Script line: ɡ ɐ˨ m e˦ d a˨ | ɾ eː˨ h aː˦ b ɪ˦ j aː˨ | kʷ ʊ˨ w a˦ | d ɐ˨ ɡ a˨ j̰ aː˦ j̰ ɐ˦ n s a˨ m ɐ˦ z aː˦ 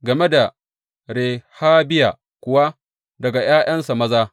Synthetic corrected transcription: ɡ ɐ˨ m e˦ d a˨ | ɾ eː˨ h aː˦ b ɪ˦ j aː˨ | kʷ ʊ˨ w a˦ | d ɐ˨ ɡ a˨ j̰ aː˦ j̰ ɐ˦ n s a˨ m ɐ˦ z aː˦